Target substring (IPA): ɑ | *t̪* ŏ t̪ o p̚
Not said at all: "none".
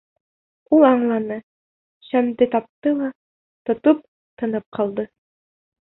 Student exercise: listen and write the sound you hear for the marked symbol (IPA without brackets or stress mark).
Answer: t̪